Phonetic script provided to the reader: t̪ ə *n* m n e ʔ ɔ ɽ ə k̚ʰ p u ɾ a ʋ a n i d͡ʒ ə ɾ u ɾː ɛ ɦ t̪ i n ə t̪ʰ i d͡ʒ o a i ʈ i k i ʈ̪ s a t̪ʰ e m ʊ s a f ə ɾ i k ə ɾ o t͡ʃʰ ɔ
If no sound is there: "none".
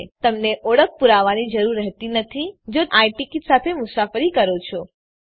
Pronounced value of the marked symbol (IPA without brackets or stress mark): none